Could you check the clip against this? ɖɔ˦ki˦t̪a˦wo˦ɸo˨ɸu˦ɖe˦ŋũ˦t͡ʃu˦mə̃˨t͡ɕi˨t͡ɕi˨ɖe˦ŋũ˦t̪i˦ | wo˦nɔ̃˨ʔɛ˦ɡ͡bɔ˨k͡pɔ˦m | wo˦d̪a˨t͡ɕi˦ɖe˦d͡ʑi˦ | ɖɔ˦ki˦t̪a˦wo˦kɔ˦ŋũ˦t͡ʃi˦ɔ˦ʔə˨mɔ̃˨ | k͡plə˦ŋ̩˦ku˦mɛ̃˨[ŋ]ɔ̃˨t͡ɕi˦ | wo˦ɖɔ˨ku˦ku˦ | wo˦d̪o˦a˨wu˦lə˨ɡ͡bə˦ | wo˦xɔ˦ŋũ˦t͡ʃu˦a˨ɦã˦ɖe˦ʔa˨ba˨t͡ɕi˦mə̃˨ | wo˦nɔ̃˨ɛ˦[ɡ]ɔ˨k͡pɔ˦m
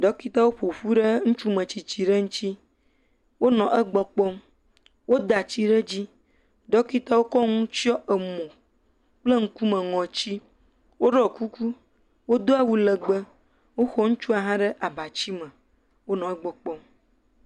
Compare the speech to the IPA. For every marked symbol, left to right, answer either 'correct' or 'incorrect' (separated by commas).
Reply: correct, incorrect